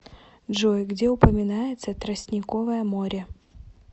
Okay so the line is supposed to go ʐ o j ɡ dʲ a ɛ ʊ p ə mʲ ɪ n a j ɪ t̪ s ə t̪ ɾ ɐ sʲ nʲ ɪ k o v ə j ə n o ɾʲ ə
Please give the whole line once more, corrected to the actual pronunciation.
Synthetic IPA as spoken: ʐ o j ɡ dʲ e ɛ ʊ p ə mʲ ɪ n a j ɪ t̪ s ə t̪ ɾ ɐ sʲ nʲ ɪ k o v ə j ə m o ɾʲ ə